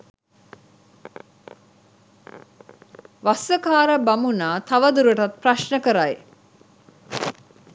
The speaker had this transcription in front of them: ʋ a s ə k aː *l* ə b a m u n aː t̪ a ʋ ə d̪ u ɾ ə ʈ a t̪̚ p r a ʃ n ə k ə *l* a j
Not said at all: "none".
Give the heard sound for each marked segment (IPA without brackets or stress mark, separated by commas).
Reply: ɾ, ɾ